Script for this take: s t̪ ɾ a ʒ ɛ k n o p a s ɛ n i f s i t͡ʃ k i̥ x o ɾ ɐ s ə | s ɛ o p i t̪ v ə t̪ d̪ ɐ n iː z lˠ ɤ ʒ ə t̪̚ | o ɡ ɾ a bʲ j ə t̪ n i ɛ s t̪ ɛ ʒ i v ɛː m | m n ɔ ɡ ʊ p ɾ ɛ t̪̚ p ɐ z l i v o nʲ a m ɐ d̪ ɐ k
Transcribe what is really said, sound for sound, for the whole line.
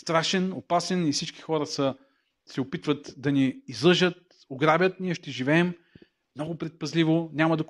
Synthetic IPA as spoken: s t̪ ɾ a ʃ ɛ n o p a s ɛ n i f s i t͡ʃ k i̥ x ɔ ɾ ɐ s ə | s ɛ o p i t̪ v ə t̪ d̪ ɐ n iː z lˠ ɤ ʒ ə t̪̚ | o ɡ ɾ a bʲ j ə t̪ n i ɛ ʃ t̪ ɛ ʒ i v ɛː m | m n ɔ ɡ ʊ p ɾ ɛ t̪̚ p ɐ z l i v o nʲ a m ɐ d̪ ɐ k